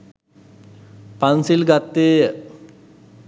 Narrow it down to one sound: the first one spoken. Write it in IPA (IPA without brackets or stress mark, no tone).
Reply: p